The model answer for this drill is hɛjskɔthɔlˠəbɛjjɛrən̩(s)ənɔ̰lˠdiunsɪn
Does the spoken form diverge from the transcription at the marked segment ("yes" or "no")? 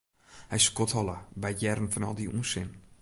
yes